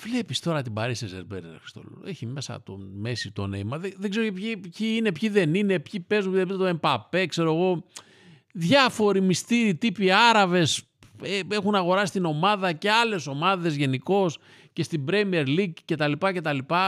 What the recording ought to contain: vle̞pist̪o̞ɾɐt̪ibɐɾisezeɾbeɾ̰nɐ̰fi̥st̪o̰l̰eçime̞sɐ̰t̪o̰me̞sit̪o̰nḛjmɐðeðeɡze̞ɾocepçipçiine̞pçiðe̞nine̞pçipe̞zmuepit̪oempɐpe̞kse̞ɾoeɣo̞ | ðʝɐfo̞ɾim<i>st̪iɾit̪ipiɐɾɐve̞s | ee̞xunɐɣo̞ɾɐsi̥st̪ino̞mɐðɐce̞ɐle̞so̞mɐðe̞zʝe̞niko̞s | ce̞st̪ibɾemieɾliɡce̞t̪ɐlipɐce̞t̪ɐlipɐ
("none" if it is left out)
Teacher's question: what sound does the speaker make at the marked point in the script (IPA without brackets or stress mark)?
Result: i